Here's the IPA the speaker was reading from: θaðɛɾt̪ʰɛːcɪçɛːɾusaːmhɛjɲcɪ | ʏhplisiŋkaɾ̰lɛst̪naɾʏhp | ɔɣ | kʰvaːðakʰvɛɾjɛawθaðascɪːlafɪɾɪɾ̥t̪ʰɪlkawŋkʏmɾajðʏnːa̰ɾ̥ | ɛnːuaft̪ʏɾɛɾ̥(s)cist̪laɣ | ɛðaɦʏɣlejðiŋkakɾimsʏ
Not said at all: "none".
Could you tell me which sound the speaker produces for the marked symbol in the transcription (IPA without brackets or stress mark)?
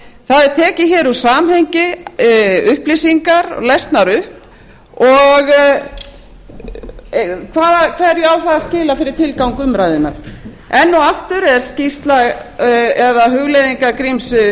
s